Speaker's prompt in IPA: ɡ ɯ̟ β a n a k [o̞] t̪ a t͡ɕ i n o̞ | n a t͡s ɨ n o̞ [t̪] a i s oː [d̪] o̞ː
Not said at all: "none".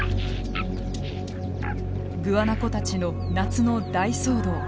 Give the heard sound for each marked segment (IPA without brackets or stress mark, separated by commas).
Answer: o̞, d̪, d̪